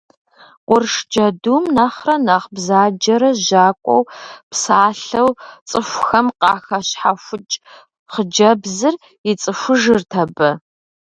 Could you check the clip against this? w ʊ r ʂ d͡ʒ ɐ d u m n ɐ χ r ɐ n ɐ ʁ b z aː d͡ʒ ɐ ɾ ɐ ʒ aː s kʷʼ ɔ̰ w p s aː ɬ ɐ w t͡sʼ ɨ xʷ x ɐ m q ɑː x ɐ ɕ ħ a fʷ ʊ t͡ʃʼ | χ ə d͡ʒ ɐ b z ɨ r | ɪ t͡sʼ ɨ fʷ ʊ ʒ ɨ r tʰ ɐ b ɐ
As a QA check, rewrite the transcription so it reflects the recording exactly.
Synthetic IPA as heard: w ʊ r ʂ d͡ʒ ɐ d u m n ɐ χ r ɐ n ɐ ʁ b z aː d͡ʒ ɐ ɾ ɐ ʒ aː kʷʼ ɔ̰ w p s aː ɬ ɐ w t͡sʼ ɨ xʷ x ɐ m q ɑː x ɐ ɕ ħ a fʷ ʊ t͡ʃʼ | χ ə d͡ʒ ɐ b z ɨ r | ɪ t͡sʼ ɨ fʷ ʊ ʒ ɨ r tʰ ɐ b ɐ